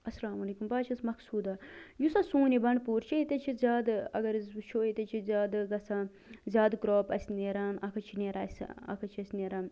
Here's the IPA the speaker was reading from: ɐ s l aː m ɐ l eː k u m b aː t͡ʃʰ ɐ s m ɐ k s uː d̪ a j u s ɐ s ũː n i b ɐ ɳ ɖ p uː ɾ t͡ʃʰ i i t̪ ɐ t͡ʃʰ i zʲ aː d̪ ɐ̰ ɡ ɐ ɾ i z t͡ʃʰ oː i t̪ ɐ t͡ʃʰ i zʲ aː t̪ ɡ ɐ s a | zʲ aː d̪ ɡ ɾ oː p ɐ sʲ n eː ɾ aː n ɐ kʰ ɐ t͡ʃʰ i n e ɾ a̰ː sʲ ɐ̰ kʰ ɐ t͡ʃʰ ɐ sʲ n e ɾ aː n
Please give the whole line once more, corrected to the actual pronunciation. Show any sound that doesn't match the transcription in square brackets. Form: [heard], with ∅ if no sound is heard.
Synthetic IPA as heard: ɐ s l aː m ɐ l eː k u m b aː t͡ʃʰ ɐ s m ɐ k s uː d̪ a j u s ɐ s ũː n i b ɐ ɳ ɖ p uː ɾ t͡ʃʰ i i t̪ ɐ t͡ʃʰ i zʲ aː d̪ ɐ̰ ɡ ɐ ɾ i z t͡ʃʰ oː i t̪ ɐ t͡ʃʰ i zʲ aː [d̪] ɡ ɐ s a | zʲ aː d̪ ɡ ɾ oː p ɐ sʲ n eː ɾ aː n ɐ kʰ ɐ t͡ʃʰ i n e ɾ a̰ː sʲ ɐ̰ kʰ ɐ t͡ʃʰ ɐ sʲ n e ɾ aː n